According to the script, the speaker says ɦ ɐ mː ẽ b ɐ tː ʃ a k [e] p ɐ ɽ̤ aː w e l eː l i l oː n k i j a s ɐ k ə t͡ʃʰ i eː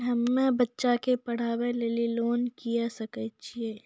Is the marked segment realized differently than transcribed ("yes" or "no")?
no